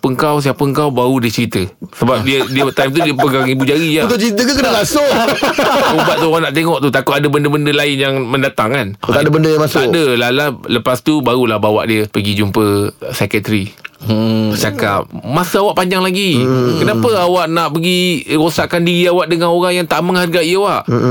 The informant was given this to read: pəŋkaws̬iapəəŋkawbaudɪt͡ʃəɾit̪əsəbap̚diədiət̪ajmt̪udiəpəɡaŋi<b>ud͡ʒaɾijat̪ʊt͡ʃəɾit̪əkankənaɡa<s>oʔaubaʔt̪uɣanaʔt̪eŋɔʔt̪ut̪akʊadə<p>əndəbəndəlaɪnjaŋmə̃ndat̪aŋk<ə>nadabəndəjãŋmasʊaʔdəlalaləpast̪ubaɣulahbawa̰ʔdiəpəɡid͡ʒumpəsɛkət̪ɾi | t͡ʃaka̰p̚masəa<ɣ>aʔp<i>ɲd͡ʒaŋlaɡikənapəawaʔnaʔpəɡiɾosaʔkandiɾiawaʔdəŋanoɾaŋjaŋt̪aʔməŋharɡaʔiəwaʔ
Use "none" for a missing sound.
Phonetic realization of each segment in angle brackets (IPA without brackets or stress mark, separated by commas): b, s, b, a, w, a